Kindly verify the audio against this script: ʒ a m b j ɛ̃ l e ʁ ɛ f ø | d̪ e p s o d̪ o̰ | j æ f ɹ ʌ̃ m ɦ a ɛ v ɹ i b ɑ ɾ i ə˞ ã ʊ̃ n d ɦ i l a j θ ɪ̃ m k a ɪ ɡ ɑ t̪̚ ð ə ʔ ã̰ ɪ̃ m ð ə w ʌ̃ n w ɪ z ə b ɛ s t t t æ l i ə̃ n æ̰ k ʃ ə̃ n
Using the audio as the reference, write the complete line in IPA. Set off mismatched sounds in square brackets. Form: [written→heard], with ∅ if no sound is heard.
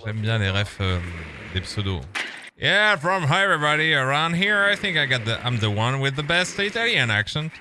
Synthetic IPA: ʒ [a→ɛ] m b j ɛ̃ l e ʁ ɛ f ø | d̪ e p s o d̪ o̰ | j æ f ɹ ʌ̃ m ɦ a ɛ v ɹ i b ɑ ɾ i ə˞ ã ʊ̃ n d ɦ i [l→ɹ] a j θ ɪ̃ [m→ŋ] k a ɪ ɡ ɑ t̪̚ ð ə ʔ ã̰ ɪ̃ m ð ə w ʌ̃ n w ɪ [z→ð] ə b ɛ s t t t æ l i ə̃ n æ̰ k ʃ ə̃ n